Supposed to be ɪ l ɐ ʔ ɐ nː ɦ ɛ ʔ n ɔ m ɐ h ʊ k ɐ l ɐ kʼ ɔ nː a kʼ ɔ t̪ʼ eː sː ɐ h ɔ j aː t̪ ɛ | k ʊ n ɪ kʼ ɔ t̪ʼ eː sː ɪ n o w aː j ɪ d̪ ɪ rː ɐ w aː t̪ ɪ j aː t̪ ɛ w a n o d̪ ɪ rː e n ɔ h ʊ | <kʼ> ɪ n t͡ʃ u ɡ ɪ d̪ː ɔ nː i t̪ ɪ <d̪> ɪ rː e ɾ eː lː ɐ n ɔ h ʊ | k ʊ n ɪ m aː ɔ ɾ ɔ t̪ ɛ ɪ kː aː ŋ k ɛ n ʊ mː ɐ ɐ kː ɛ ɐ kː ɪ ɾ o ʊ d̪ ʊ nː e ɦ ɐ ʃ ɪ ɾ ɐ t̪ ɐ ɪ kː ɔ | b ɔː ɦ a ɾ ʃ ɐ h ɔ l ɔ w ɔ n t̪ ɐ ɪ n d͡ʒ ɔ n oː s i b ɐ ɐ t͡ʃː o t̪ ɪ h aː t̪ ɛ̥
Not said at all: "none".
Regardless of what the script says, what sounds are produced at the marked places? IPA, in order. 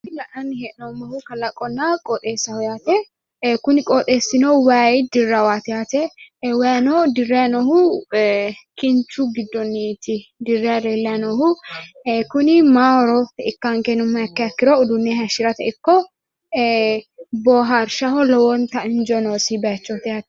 k, d̪

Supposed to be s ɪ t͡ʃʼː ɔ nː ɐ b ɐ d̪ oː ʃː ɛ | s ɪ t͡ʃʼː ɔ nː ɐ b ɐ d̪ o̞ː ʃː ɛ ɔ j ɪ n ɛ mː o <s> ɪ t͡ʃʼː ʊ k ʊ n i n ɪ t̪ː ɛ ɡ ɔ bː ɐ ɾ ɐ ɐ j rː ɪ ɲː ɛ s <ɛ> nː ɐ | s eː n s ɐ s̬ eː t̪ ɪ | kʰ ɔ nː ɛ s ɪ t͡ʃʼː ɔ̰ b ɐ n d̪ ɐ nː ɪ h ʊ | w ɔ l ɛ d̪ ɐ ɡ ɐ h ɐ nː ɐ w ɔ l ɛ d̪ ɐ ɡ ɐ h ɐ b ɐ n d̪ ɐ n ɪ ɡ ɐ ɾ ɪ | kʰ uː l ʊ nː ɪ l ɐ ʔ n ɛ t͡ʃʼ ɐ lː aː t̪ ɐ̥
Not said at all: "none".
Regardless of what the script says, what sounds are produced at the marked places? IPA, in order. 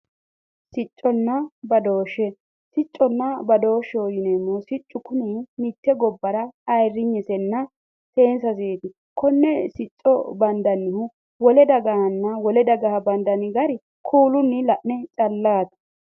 s, ɛ

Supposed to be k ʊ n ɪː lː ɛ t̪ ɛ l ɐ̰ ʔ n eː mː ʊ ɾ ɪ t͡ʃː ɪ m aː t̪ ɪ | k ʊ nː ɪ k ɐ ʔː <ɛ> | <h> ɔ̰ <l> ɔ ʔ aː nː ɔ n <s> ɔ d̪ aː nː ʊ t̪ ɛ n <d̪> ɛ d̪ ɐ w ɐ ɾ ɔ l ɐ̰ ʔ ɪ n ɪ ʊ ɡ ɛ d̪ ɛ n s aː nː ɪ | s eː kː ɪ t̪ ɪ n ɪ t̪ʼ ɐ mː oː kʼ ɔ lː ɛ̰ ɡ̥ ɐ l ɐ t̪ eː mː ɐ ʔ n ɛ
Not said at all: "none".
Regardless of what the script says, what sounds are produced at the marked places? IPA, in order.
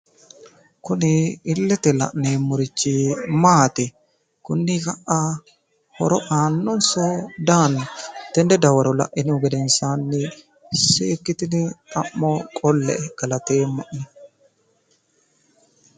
a, h, ɾ, s, d̪

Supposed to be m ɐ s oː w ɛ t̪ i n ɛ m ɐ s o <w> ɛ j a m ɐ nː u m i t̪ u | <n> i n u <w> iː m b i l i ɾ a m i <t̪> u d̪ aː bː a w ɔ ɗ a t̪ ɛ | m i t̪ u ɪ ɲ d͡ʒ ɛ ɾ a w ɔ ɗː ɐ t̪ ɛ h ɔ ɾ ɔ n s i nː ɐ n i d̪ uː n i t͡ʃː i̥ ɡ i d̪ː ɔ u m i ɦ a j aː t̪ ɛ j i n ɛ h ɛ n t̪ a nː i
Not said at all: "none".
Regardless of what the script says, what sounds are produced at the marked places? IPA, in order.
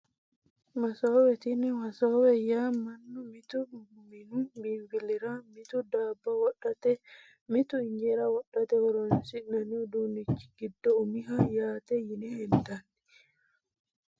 w, m, b, t̪

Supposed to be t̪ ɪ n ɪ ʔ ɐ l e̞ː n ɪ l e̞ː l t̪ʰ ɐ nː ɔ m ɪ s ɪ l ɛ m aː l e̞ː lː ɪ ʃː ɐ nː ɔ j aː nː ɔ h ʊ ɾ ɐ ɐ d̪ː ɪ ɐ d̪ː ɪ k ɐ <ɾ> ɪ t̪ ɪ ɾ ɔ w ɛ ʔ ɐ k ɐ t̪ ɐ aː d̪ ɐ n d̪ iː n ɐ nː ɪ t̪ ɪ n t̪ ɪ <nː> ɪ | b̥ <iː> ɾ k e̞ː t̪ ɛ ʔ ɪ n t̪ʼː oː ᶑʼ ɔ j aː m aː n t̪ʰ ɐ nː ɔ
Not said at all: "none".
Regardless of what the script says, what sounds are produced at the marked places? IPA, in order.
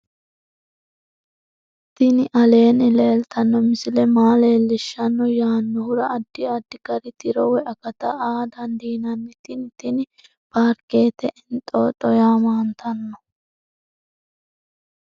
ɾ, n, aː

